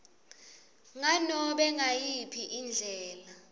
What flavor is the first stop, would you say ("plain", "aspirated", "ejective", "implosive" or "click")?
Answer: implosive